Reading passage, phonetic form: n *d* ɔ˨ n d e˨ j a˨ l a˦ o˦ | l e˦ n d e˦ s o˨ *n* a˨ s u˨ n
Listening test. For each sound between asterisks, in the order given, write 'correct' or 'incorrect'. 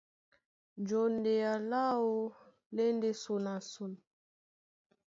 incorrect: d͡ʒ, correct

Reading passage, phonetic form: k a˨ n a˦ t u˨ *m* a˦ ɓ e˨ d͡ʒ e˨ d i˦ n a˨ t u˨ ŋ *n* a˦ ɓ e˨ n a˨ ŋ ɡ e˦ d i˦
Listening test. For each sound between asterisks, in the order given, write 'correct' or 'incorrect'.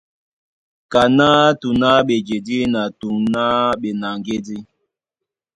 incorrect: n, correct

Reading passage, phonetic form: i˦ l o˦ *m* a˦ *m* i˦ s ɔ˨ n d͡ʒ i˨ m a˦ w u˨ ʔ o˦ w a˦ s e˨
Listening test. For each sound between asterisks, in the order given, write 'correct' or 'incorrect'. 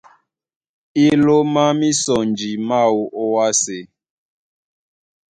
correct, correct

